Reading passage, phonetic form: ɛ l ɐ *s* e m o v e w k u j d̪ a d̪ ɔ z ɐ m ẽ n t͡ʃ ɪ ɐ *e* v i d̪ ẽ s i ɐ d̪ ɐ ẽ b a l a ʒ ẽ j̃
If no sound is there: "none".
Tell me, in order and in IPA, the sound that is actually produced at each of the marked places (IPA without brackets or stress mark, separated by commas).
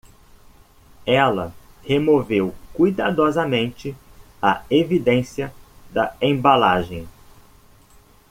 h, e